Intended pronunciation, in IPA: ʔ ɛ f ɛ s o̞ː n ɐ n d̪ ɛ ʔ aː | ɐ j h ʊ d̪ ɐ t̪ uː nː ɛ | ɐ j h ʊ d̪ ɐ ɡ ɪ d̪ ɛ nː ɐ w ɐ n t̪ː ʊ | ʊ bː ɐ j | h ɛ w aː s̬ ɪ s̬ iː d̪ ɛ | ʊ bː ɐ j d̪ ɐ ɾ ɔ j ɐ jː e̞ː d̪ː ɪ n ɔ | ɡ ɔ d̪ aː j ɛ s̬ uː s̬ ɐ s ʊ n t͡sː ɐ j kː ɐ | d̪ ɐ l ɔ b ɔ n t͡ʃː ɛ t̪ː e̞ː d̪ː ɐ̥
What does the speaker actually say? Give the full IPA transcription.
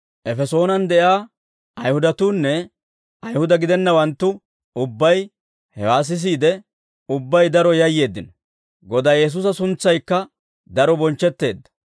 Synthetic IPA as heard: ʔ ɛ f ɛ s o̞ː n ɐ n d̪ ɛ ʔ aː | ɐ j h ʊ d̪ ɐ t̪ uː nː ɛ | ɐ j h ʊ d̪ ɐ ɡ ɪ d̪ ɛ nː ɐ w ɐ n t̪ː ʊ | ʊ bː ɐ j | h ɛ w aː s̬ ɪ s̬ iː d̪ ɛ | ʊ bː ɐ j d̪ ɐ ɾ ɔ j ɐ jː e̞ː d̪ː ɪ n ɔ | ɡ ɔ d̪ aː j ɛ s̬ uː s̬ ɐ s ʊ n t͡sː ɐ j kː ɐ | d̪ ɐ ɾ ɔ b ɔ n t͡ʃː ɛ t̪ː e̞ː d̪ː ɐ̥